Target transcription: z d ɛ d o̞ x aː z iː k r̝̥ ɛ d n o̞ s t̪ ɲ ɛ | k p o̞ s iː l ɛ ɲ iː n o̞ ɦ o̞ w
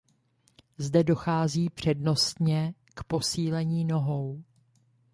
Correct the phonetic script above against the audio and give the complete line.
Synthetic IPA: z d ɛ d o̞ x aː z iː p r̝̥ ɛ d n o̞ s t̪ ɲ ɛ | k p o̞ s iː l ɛ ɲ iː n o̞ ɦ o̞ w